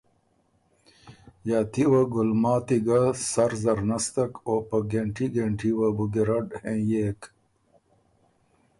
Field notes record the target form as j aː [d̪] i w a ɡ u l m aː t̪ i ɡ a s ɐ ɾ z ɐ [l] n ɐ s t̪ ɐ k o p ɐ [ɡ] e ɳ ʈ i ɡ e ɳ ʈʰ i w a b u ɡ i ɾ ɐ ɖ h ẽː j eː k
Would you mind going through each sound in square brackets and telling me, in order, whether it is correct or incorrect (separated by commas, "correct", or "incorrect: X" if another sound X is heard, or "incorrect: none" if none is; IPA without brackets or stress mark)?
incorrect: t̪, incorrect: ɾ, correct